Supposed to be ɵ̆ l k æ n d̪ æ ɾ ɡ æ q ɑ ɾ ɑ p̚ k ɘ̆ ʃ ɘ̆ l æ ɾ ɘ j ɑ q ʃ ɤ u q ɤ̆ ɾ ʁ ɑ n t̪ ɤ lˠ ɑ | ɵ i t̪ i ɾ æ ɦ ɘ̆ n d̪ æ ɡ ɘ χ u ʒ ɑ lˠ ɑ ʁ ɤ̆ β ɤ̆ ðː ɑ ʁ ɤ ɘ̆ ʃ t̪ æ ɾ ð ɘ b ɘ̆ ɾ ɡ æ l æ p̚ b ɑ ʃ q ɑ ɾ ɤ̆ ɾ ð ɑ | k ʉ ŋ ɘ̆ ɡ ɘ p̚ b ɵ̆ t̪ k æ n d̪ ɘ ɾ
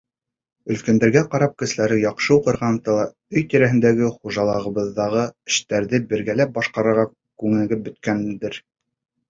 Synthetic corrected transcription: ɵ̆ l k æ n d̪ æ ɾ ɡ æ q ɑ ɾ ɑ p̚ k ɘ̆ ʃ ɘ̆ l æ ɾ ɘ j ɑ q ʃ ɤ u q ɤ̆ ɾ ʁ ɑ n t̪ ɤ lˠ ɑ | ɵ j t̪ i ɾ æ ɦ ɘ̆ n d̪ æ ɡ ɘ χ u ʒ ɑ lˠ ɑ ʁ ɤ̆ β ɤ̆ ðː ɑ ʁ ɤ ɘ̆ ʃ t̪ æ ɾ ð ɘ b ɘ̆ ɾ ɡ æ l æ p̚ b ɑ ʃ q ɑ ɾ ɤ̆ ɾ ʁ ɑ | k ʉ ŋ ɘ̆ ɡ ɘ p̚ b ɵ̆ t̪ k æ n d̪ ɘ ɾ

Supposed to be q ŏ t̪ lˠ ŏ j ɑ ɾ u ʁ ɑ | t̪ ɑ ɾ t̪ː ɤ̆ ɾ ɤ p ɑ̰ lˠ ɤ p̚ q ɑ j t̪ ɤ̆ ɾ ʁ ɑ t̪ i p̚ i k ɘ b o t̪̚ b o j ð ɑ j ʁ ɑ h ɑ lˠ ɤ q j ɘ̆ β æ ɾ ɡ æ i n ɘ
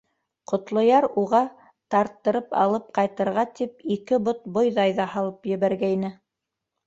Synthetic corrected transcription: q ŏ t̪ lˠ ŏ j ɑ ɾ u ʁ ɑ | t̪ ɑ ɾ t̪ː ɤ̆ ɾ ɤ p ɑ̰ lˠ ɤ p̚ q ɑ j t̪ ɤ̆ ɾ ʁ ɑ t̪ i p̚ i k ɘ b o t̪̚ b o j ð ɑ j ð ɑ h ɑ lˠ ɤ p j ɘ̆ β æ ɾ ɡ æ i n ɘ

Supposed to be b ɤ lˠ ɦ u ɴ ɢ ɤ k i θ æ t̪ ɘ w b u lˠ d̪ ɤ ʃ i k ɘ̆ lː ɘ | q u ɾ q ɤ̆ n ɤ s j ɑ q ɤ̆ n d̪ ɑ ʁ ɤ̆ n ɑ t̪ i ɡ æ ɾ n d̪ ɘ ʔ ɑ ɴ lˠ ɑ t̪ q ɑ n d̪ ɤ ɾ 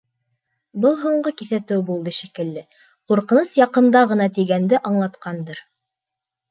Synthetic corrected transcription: b ɤ lˠ ɦ u ɴ ɢ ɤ k i θ æ t̪ ɘ w b u lˠ d̪ ɤ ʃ i k ɘ̆ lː ɘ | q u ɾ q ɤ̆ n ɤ s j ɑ q ɤ̆ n d̪ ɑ ʁ ɤ̆ n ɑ t̪ i ɡ æ n d̪ ɘ ʔ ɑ ɴ lˠ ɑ t̪ q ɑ n d̪ ɤ ɾ

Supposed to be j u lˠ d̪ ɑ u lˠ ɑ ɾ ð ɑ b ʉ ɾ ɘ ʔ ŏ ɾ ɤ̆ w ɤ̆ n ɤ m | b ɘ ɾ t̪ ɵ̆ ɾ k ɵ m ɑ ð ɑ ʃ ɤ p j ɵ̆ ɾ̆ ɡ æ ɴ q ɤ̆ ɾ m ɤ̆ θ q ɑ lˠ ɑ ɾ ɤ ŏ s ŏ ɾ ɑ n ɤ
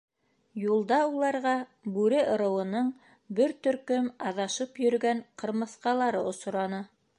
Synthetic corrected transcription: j u lˠ d̪ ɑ u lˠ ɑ ɾ ʁ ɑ b ʉ ɾ ɘ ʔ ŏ ɾ ɤ̆ w ɤ̆ n ɤ ɴ | b ɘ ɾ t̪ ɵ̆ ɾ k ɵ m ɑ ð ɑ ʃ ɤ p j ɵ̆ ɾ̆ ɡ æ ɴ q ɤ̆ ɾ m ɤ̆ θ q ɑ lˠ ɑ ɾ ɤ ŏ s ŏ ɾ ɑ n ɤ

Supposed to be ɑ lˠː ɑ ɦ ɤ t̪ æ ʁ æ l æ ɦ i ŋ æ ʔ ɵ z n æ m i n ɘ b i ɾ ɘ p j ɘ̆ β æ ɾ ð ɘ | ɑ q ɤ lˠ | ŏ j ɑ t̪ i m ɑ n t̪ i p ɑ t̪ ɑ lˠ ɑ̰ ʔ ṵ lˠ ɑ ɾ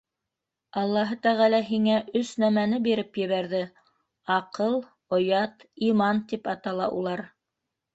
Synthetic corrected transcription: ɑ lˠː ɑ ɦ ɤ t̪ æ ʁ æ l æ ɦ i ŋ æ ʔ ɵ s n æ m æ n ɘ b i ɾ ɘ p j ɘ̆ β æ ɾ ð ɘ | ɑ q ɤ lˠ | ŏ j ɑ t̪ i m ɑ n t̪ i p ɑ t̪ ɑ lˠ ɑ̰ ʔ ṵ lˠ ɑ ɾ

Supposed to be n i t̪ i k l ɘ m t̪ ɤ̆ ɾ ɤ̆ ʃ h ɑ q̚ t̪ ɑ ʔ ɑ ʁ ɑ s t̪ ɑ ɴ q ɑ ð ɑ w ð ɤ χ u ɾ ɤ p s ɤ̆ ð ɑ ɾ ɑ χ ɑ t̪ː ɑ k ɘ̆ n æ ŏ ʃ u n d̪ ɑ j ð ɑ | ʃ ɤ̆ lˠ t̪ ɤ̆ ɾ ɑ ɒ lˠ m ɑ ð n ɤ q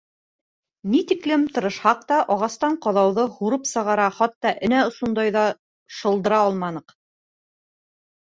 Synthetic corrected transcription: n i t̪ i k l ɘ m t̪ ɤ̆ ɾ ɤ̆ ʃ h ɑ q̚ t̪ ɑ ʔ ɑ ʁ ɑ s t̪ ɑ ɴ q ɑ ð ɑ w ð ɤ h u ɾ ɤ p s ɤ̆ ʁ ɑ ɾ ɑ χ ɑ t̪ː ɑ ʔ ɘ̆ n æ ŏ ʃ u n d̪ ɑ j ð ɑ | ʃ ɤ̆ lˠ d̪ ɤ̆ ɾ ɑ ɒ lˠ m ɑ n ɤ q

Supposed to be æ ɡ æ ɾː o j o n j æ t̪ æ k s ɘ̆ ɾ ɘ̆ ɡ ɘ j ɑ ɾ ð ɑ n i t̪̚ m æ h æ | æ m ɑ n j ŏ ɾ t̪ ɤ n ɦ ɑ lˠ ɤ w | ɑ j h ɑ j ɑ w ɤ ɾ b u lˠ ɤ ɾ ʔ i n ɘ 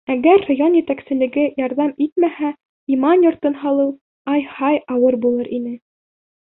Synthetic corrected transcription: æ ɡ æ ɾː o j o n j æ t̪ æ k s ɘ̆ l ɘ̆ ɡ ɘ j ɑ ɾ ð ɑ m i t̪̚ m æ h æ | i m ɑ n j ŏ ɾ t̪ ɤ n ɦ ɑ lˠ ɤ w | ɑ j h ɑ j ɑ w ɤ ɾ b u lˠ ɤ ɾ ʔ i n ɘ

